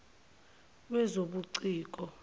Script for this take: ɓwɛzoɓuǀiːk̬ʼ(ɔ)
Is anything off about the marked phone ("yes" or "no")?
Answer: no